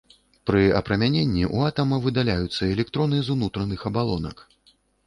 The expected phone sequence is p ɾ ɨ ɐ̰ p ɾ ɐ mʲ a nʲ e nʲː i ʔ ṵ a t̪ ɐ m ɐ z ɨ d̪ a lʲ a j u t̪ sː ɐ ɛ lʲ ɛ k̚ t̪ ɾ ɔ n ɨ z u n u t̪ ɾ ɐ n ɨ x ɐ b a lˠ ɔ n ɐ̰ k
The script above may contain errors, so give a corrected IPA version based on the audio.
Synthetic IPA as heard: p ɾ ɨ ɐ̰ p ɾ ɐ mʲ a nʲ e nʲː i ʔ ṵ a t̪ ɐ m ɐ v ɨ d̪ a lʲ a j u t̪ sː ɐ ɛ lʲ ɛ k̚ t̪ ɾ ɔ n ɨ z u n u t̪ ɾ ɐ n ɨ x ɐ b a lˠ ɔ n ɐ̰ k